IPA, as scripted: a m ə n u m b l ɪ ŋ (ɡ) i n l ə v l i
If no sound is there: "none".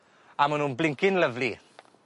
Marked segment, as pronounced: k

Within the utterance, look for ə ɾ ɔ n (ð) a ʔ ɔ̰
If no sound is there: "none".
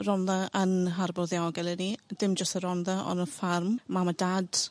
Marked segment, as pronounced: ð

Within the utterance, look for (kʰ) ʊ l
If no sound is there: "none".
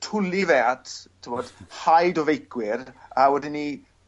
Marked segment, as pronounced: tʰ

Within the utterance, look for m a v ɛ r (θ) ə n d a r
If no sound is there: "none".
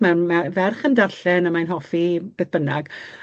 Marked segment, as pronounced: χ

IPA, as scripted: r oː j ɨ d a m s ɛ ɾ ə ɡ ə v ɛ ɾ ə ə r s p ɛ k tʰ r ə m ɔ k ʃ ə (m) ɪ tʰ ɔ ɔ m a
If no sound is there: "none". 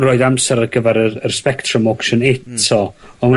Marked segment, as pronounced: n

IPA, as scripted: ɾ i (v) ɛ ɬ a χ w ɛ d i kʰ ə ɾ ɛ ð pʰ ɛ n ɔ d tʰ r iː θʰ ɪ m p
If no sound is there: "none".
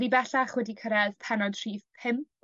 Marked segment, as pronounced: b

